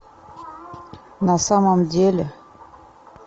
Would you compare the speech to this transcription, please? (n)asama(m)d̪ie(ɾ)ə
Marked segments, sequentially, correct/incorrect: correct, correct, incorrect: l

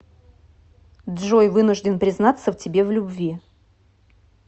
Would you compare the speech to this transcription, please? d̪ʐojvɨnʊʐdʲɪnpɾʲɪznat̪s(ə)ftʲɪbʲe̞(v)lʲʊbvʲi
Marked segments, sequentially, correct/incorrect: correct, correct

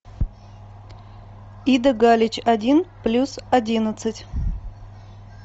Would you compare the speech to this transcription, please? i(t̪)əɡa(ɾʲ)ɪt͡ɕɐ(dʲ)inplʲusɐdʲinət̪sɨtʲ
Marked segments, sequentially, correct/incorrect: incorrect: d̪, incorrect: lʲ, correct

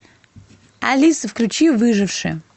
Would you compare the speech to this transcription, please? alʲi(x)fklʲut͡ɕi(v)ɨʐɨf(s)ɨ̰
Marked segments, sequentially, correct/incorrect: incorrect: s, correct, incorrect: ʂ

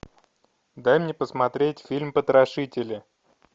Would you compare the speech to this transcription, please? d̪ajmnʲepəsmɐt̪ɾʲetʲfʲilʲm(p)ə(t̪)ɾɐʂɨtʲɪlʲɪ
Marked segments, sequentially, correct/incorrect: correct, correct

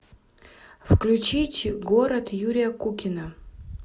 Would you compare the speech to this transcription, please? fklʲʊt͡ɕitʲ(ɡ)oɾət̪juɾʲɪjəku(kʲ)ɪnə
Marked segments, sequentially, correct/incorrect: correct, correct

